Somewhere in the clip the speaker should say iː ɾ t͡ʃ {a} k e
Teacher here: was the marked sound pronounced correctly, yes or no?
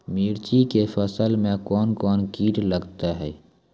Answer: no